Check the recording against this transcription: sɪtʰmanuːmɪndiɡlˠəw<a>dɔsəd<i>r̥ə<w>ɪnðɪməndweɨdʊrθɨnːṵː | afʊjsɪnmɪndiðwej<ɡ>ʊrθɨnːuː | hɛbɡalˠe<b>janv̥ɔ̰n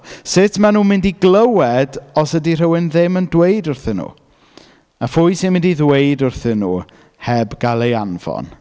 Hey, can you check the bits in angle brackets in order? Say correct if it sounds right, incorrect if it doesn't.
incorrect: ɛ, correct, correct, incorrect: d, incorrect: none

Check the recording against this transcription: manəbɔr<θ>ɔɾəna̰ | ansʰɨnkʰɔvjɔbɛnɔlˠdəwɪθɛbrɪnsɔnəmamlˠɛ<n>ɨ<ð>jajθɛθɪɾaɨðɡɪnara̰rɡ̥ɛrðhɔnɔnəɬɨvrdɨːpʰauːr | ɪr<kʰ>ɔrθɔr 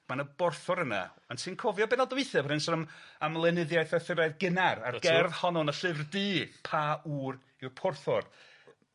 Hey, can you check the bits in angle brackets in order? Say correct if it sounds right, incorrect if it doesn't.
correct, correct, correct, incorrect: pʰ

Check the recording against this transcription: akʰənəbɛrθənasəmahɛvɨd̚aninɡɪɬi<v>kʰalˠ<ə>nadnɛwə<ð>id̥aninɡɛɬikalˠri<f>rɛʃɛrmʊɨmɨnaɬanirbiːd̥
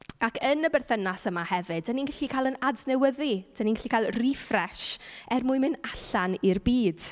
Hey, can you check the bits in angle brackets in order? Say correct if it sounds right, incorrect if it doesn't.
incorrect: none, correct, correct, correct

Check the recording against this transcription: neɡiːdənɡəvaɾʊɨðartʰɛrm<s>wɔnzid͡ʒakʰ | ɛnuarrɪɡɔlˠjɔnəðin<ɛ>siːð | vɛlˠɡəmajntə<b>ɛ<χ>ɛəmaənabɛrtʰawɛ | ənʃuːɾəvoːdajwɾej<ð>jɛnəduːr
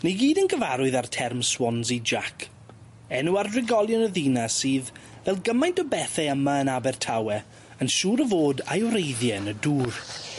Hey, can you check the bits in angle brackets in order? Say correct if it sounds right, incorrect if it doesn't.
correct, incorrect: a, correct, incorrect: θ, correct

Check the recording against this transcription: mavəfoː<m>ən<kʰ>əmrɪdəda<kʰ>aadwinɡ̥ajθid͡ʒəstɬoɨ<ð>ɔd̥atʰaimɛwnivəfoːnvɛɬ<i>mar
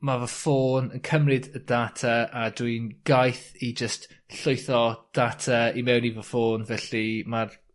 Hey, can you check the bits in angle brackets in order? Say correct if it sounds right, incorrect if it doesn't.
incorrect: n, correct, incorrect: tʰ, incorrect: θ, correct

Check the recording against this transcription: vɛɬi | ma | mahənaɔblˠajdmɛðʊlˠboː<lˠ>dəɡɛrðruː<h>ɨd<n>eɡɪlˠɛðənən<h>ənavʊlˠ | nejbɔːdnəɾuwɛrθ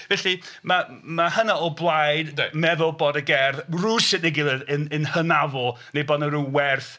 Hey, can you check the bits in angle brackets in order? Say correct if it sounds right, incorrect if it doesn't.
incorrect: none, incorrect: s, correct, correct

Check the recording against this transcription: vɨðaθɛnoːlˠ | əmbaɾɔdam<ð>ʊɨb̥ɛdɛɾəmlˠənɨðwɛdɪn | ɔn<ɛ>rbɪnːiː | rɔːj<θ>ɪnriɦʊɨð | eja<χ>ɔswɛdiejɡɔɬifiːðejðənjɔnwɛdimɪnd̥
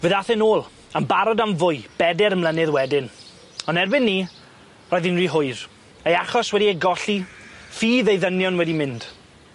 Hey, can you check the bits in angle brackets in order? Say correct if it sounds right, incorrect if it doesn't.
incorrect: v, correct, incorrect: ð, correct

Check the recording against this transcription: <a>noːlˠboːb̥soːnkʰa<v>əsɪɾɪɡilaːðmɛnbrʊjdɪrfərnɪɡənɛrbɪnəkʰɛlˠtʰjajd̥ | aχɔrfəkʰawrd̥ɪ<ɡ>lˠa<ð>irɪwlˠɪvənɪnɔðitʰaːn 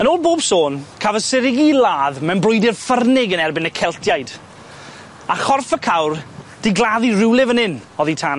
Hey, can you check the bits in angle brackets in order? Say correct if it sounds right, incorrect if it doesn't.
incorrect: ə, correct, correct, correct

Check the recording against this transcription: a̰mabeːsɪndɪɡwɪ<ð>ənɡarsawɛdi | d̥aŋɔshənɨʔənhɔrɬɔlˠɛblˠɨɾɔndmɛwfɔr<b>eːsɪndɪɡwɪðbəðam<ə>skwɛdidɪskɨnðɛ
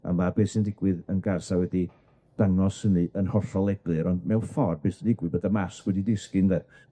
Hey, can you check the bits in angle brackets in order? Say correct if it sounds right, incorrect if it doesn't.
correct, correct, incorrect: a

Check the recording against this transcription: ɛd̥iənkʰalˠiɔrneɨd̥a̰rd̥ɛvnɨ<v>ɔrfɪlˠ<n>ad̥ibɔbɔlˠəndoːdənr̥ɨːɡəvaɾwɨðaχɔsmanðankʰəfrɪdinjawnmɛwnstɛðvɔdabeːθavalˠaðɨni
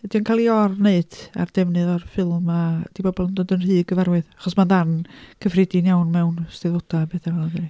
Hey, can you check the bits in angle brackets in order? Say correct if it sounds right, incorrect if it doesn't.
incorrect: ð, incorrect: m

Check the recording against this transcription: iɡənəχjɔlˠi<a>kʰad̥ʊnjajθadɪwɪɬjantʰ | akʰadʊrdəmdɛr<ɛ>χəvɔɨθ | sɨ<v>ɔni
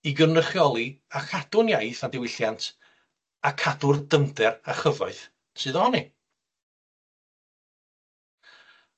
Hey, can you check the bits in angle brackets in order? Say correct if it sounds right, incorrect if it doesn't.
correct, incorrect: a, incorrect: ð

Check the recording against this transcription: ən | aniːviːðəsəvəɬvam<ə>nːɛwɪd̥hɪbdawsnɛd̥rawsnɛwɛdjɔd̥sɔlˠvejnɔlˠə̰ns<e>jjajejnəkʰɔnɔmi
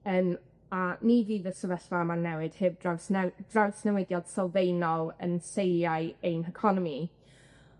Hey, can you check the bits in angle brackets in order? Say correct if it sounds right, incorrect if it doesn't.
incorrect: a, correct

